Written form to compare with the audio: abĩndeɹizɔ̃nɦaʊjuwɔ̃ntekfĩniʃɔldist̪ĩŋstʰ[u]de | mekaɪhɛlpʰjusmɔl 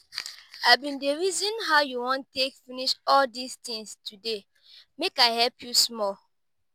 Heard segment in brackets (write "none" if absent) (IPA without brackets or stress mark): u